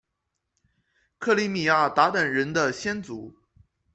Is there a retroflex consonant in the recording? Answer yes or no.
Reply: yes